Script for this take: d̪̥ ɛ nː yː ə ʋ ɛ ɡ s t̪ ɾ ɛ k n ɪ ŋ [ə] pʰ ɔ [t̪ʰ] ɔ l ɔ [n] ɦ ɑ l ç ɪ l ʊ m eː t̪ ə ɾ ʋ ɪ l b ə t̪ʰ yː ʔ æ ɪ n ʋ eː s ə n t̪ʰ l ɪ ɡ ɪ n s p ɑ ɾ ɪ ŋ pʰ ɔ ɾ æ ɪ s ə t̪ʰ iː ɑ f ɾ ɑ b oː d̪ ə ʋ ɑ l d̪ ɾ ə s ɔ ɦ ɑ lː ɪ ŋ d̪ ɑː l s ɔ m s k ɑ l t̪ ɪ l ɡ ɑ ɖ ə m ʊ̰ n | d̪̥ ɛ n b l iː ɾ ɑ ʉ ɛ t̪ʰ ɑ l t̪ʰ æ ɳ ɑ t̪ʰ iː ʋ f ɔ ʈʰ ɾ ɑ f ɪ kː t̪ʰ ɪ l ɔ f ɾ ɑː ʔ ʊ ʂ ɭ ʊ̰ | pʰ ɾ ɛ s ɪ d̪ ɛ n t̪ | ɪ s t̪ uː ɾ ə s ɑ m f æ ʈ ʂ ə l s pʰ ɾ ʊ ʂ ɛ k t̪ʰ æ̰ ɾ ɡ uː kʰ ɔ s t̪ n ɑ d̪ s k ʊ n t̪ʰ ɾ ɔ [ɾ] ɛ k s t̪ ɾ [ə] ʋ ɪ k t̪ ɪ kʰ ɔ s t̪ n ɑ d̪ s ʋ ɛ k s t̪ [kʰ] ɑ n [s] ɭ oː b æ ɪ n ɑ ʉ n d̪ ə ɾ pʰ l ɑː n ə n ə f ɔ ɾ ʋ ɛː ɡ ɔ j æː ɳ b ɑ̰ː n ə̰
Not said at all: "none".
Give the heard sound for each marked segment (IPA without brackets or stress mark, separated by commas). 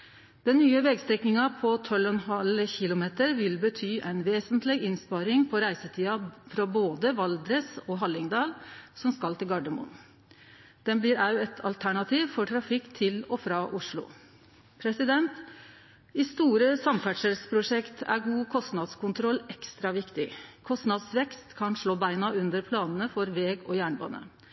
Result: ɑ, t̪ʰ, n, l, ɑ, kʰ, ʂ